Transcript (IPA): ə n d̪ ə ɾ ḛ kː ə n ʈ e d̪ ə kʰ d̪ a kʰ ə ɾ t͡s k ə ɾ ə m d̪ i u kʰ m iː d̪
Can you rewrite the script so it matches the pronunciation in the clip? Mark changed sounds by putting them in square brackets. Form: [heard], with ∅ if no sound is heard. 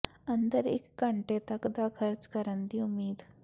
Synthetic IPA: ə n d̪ ə ɾ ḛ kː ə [ɳ] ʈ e [t̪] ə [k] d̪ a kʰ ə ɾ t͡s k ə ɾ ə [n] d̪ i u [∅] m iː d̪